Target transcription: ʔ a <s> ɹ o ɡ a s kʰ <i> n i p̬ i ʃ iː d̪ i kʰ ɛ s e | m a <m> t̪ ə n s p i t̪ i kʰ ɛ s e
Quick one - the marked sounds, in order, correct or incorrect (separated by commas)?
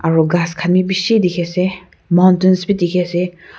incorrect, incorrect, incorrect